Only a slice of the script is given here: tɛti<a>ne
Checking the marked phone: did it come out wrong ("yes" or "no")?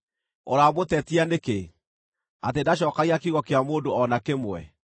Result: no